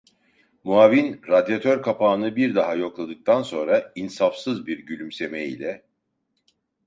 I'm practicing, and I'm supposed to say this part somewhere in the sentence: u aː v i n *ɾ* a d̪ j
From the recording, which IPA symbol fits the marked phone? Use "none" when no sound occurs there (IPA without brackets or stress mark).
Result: ɾ